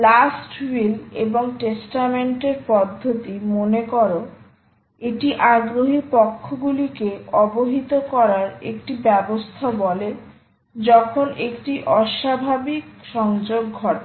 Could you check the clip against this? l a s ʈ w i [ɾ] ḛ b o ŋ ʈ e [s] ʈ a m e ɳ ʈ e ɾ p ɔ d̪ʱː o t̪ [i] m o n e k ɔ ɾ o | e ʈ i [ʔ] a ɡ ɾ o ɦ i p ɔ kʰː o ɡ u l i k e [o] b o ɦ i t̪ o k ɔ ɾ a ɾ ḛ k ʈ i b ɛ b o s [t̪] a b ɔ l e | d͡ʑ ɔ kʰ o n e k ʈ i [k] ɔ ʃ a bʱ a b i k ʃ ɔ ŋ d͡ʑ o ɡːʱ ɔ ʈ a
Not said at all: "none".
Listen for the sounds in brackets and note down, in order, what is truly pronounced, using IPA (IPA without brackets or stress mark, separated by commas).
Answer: l, s, i, ʔ, ɔ, t̪ʰ, ʔ